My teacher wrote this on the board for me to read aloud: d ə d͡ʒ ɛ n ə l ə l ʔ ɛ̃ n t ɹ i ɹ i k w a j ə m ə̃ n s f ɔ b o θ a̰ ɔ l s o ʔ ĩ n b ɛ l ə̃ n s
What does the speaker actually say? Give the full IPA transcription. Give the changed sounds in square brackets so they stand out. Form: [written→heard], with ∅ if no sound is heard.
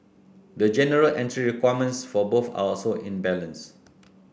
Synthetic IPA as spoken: d ə d͡ʒ ɛ n ə [l→ɹ] ə l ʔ ɛ̃ n t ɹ i ɹ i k w a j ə m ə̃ n s f ɔ b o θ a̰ ɔ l s o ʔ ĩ n b ɛ l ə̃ n s